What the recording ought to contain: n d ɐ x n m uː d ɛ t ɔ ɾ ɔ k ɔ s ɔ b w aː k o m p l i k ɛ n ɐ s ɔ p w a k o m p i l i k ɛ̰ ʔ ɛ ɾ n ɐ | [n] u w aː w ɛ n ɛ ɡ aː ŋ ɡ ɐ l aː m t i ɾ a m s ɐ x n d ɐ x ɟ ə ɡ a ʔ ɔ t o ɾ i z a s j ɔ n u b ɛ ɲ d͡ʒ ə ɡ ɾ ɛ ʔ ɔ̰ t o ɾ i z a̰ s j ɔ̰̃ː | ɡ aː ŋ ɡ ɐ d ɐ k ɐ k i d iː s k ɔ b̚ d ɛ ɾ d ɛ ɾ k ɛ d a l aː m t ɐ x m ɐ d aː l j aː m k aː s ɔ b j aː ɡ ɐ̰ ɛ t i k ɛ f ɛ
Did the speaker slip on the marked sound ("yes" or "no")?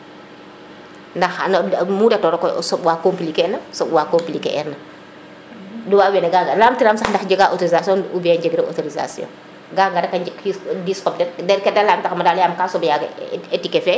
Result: yes